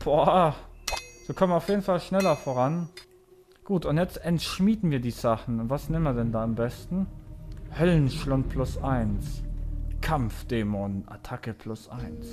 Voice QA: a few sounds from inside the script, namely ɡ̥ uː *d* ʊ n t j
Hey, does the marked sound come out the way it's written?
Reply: no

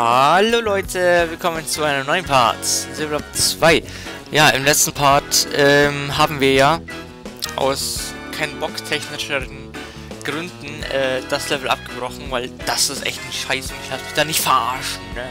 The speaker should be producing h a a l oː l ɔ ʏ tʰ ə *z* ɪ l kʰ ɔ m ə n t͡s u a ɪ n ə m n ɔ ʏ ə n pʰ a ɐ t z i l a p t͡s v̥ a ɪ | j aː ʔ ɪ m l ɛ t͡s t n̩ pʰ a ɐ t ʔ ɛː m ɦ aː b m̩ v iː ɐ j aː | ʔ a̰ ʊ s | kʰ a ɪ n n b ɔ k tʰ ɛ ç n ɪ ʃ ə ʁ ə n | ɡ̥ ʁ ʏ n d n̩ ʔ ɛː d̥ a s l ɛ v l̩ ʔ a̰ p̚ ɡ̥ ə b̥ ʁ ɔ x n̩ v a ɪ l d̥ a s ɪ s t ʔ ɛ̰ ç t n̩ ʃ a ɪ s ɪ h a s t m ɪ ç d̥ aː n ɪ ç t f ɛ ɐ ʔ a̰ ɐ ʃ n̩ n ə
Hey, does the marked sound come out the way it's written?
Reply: no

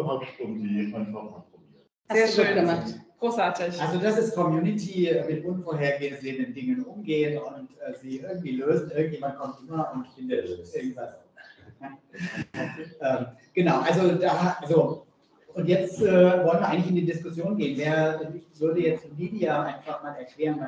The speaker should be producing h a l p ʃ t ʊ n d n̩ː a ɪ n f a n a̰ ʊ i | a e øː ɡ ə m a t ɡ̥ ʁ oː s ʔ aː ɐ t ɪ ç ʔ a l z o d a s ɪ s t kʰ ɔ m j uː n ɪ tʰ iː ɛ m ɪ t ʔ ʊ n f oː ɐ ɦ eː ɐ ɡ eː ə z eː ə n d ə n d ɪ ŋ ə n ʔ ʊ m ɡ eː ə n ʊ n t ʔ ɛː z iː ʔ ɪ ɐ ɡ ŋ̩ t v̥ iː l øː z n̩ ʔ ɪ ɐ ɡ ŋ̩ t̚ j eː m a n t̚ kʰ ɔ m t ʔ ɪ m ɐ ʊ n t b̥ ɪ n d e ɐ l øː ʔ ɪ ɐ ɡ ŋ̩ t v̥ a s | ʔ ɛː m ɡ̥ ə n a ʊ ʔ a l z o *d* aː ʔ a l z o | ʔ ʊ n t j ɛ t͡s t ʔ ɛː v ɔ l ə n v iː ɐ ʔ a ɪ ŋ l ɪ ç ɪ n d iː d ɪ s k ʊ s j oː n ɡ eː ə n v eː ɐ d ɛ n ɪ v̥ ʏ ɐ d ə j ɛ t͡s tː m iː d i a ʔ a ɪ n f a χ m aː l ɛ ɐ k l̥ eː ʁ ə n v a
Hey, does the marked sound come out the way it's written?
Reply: yes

